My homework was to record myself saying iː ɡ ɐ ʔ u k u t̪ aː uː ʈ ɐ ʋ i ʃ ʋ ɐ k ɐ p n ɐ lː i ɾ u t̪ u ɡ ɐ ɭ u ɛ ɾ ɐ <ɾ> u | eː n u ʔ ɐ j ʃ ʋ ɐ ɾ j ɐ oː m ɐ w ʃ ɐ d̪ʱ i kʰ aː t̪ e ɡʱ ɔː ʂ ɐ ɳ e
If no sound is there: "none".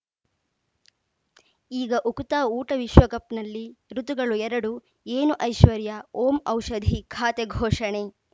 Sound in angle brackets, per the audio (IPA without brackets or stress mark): ɽ